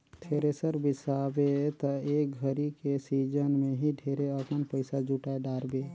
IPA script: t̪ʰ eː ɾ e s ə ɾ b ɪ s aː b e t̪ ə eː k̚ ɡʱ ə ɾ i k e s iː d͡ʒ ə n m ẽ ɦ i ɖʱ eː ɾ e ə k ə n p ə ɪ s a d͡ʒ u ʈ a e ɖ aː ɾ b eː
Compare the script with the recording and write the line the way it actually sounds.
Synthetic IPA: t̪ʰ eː ɾ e s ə ɾ b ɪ s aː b e t̪ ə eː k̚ ɡʱ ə ɾ i k e s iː d͡ʒ ə n m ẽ ɦ i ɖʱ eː ɾ e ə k ə n p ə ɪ s a d͡ʒ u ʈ a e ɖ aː ɾ b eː